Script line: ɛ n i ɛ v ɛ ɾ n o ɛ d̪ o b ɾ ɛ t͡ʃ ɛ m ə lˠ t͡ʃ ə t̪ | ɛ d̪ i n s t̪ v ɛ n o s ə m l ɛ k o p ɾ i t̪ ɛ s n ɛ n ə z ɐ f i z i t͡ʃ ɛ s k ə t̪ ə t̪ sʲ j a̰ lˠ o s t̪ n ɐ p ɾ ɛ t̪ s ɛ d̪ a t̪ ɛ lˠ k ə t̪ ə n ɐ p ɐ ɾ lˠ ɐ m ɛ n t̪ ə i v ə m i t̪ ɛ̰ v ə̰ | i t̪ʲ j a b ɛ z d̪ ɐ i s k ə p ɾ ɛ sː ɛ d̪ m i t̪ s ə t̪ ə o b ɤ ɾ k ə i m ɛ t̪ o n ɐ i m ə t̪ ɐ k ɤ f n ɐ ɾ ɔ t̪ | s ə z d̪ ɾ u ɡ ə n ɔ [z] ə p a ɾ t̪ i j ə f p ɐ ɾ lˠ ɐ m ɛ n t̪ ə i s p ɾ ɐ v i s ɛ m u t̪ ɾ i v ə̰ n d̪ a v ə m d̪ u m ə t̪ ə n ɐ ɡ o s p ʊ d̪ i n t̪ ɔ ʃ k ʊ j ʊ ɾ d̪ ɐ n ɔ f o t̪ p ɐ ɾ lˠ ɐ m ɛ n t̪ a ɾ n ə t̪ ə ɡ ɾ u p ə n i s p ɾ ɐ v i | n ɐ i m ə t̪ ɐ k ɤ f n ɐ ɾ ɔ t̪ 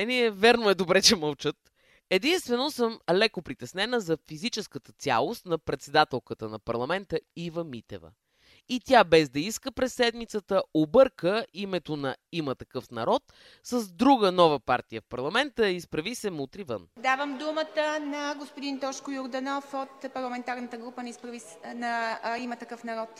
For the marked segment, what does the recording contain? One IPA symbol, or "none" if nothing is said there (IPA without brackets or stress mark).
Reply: v